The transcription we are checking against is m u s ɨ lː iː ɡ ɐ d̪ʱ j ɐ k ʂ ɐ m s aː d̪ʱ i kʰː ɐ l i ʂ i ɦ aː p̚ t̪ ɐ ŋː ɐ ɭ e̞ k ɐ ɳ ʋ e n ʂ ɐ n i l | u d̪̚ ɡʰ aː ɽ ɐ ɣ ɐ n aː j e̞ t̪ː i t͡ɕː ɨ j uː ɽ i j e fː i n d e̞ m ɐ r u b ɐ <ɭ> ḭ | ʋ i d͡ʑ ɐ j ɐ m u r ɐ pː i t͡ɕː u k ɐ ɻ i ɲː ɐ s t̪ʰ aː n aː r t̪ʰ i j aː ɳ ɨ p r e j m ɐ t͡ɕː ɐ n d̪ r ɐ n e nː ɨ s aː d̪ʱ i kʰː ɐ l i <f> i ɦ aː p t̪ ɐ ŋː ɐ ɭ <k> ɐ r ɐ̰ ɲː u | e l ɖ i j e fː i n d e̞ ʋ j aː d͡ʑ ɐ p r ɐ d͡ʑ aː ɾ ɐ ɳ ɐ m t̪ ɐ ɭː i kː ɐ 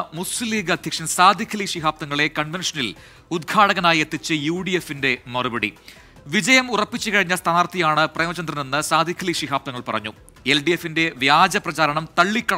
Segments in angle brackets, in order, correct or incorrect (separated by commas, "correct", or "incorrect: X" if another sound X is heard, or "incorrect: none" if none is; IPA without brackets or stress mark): incorrect: ɽ, incorrect: ʂ, incorrect: p